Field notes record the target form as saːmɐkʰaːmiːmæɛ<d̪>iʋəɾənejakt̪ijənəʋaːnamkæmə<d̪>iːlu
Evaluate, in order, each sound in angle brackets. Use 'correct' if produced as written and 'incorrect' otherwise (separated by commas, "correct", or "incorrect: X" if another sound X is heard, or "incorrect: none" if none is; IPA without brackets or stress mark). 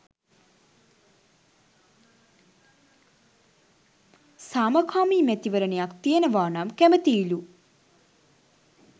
incorrect: t̪, incorrect: t̪